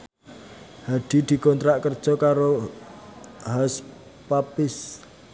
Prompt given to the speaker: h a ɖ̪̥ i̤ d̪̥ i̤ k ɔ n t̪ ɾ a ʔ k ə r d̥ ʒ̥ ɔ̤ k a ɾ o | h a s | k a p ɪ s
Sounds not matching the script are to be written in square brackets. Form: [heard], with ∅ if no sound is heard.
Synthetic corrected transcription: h a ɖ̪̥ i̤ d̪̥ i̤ k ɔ n t̪ ɾ a ʔ k ə r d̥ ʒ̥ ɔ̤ k a ɾ o | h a s | [p] a p ɪ s